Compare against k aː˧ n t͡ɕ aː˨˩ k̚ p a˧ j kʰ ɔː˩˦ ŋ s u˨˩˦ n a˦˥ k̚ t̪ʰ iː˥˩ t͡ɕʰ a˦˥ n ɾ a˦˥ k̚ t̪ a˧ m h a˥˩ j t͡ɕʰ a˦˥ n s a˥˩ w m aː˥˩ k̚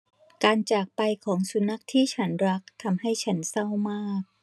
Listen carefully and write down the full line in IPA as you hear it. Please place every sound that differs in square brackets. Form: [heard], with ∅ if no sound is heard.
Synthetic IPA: k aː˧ n t͡ɕ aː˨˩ k̚ p a˧ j kʰ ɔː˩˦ ŋ s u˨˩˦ n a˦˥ k̚ t̪ʰ iː˥˩ t͡ɕʰ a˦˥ n ɾ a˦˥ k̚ [t̪ʰ] a˧ m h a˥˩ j t͡ɕʰ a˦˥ n s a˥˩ w m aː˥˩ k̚